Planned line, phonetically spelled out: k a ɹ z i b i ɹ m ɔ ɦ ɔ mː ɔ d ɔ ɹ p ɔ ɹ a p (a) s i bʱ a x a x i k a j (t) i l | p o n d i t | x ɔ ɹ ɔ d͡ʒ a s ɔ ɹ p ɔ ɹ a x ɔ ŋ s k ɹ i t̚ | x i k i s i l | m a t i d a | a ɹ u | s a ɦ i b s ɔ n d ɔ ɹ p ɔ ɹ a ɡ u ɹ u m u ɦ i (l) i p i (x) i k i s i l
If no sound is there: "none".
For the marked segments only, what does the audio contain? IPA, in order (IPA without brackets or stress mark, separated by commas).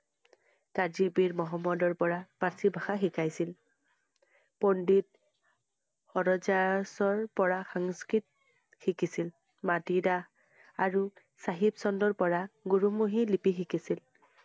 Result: a, s, l, x